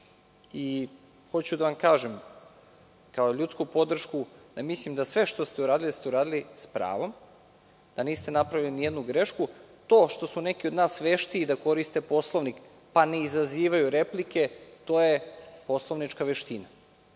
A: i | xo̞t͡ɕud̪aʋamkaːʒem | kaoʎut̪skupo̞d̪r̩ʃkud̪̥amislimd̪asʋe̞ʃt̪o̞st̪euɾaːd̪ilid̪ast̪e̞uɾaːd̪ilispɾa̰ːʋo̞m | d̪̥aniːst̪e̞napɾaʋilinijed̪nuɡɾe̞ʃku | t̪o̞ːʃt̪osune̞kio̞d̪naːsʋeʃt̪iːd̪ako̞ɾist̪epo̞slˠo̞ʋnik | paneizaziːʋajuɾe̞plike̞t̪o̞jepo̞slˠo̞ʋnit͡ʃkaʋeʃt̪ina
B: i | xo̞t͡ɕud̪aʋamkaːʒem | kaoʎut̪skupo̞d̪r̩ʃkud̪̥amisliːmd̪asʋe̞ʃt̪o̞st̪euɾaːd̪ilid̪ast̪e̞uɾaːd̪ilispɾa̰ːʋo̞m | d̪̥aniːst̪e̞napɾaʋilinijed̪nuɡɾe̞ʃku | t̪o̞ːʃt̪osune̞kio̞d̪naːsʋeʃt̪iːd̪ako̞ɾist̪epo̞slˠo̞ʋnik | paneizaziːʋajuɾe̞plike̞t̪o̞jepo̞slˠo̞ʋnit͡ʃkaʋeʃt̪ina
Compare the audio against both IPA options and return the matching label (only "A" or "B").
A